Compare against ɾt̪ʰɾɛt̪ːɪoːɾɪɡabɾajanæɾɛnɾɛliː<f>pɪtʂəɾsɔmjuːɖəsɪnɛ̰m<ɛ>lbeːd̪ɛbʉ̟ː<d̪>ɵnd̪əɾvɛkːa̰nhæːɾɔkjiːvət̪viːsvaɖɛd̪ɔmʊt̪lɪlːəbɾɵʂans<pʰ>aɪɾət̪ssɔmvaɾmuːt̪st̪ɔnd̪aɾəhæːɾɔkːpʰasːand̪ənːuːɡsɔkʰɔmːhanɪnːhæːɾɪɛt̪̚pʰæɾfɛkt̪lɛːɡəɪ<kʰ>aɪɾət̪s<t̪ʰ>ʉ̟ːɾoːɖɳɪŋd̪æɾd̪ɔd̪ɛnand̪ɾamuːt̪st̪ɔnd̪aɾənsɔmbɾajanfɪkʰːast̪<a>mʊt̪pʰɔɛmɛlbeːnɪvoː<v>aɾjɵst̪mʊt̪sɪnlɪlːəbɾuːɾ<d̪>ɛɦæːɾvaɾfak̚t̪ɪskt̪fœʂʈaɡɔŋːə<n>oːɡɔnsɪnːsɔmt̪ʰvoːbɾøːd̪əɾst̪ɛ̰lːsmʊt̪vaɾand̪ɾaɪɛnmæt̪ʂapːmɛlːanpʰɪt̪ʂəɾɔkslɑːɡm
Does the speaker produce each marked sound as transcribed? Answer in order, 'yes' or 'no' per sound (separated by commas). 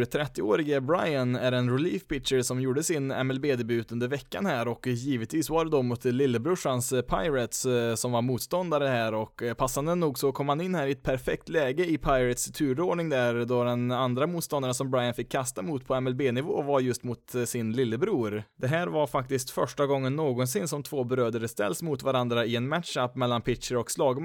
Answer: yes, yes, no, yes, no, yes, yes, yes, yes, no